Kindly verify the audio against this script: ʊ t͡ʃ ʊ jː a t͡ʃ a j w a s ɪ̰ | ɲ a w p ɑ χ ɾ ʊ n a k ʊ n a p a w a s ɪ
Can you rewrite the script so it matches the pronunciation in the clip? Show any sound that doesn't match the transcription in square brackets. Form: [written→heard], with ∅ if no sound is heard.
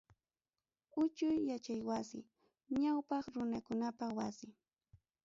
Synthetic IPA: ʊ t͡ʃ ʊ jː a t͡ʃ a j w a s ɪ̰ | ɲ a w p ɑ χ ɾ ʊ n a k ʊ n a p a w a s ɪ